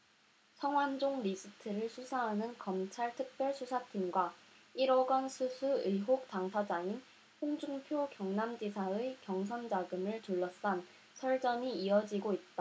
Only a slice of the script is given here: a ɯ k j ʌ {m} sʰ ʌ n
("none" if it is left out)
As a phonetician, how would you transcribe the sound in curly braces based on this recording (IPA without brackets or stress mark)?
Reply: ŋ